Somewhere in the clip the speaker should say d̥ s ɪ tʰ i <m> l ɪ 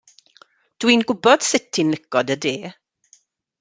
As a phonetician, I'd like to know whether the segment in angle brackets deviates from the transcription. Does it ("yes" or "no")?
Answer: yes